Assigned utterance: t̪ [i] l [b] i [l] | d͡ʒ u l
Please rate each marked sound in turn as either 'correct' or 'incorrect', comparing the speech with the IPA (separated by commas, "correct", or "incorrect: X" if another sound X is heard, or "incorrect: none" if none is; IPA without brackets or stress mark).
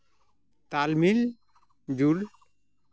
incorrect: a, incorrect: m, correct